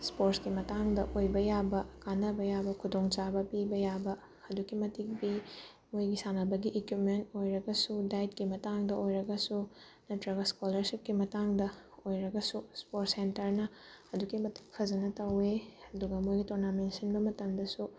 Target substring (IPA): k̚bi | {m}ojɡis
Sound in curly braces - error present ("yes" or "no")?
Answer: no